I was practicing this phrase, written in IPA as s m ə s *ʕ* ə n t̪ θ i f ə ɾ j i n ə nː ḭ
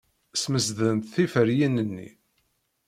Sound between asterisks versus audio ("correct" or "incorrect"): incorrect